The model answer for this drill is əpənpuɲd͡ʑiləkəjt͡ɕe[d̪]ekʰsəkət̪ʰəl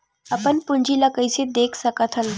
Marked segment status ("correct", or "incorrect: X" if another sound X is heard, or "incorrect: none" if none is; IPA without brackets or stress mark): correct